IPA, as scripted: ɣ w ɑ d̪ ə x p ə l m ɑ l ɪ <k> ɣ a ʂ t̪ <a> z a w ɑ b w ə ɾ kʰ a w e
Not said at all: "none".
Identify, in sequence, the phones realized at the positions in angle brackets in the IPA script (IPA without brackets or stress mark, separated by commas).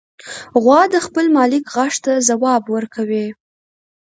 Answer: k, a